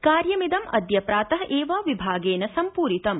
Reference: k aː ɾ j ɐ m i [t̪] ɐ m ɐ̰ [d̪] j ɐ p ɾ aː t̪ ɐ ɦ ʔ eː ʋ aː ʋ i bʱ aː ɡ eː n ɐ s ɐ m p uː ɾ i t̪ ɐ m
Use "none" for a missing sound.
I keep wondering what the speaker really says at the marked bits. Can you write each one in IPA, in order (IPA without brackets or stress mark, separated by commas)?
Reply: d̪, d̪